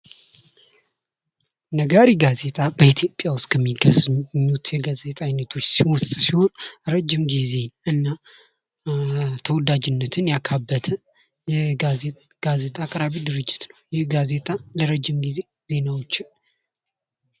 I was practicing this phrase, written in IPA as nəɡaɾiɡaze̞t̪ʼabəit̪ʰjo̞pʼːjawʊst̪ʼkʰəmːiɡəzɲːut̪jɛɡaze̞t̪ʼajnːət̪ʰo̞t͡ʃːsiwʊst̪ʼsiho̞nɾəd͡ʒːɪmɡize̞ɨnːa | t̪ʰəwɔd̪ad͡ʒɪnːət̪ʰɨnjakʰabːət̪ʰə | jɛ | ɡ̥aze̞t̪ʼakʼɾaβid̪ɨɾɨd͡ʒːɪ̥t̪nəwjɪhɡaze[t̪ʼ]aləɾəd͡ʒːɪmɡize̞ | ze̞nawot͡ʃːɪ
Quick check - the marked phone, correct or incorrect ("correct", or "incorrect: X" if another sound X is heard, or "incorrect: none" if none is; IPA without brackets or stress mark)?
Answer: correct